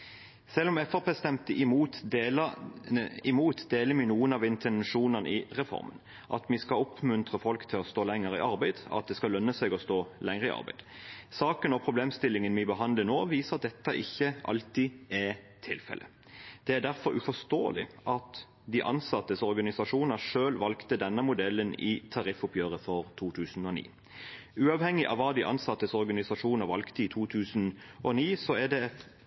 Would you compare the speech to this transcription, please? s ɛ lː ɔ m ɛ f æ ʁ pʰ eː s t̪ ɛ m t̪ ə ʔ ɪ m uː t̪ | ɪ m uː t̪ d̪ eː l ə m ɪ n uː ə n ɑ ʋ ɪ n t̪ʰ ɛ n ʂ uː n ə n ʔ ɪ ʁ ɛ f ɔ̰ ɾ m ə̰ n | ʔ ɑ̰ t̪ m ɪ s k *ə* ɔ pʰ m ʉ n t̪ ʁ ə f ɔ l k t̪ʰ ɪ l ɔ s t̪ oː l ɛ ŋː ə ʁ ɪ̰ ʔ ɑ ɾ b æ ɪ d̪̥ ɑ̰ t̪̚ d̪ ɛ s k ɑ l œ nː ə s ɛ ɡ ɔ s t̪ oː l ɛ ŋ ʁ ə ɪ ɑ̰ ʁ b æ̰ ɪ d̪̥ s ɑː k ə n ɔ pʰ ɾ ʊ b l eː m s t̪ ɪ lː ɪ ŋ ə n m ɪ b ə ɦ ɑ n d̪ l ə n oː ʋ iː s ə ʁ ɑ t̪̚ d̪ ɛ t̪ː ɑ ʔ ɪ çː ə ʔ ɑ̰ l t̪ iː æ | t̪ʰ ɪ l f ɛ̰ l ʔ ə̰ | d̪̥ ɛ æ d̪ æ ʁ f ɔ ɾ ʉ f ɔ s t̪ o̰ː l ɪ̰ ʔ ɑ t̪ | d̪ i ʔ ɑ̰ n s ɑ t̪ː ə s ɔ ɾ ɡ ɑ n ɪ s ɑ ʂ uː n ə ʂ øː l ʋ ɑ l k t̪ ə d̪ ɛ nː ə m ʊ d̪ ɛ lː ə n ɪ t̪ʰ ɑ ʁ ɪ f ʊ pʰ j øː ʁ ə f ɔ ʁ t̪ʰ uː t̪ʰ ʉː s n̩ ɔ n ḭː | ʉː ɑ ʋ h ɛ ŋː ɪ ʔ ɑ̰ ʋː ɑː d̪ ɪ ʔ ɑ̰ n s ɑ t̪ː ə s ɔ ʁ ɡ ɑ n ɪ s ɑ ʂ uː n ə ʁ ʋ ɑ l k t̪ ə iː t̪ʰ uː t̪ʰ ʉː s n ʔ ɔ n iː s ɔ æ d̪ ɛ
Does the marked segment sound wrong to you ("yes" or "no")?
yes